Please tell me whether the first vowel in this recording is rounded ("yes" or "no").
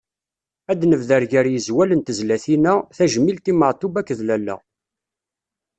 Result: no